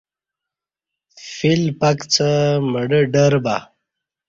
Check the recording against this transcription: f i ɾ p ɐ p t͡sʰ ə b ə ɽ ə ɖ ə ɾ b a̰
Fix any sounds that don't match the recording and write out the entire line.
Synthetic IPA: f i l p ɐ k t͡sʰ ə m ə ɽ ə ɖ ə ɾ b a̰